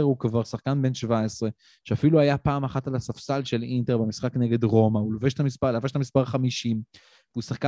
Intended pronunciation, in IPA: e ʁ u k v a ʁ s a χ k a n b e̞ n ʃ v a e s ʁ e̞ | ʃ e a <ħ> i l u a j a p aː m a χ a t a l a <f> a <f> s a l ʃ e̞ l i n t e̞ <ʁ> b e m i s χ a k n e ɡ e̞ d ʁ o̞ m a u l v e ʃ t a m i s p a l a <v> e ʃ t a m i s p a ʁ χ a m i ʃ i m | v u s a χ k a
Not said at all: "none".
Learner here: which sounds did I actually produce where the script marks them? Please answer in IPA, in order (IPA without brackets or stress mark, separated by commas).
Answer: f, s, f, ʁ, v